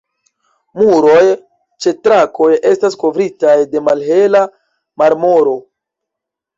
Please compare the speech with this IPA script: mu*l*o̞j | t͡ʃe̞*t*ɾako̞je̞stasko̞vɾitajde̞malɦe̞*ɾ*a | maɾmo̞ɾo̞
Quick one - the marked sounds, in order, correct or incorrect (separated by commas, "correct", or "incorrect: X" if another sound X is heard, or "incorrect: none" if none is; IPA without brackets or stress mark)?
incorrect: ɾ, correct, incorrect: l